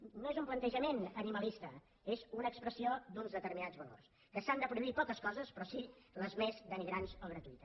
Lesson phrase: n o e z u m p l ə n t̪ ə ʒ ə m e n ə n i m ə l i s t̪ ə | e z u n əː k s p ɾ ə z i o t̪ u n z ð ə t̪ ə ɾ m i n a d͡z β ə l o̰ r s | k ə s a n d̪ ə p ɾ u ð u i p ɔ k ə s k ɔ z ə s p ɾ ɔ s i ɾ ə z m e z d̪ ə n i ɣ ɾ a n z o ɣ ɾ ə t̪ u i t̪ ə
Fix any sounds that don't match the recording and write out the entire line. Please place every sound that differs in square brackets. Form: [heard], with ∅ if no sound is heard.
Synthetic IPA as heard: n o e z u m p l ə n t̪ ə ʒ ə m e n ə n i m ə l i s t̪ ə | e z u n əː k s p ɾ ə [s] i o [d̪] u n z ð ə t̪ ə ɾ m i n a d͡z β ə l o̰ r s | k ə s a n d̪ ə p ɾ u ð u i p ɔ k ə s k ɔ z ə s p ɾ ɔ s i [l] ə z m e z d̪ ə n i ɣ ɾ a n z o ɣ ɾ ə t̪ u i t̪ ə